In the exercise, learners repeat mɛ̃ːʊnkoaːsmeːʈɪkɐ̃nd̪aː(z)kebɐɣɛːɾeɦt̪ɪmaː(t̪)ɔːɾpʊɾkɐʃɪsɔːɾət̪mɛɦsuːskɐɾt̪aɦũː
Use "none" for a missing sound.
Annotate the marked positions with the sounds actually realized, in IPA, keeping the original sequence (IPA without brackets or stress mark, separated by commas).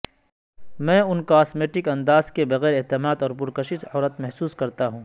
z, d̪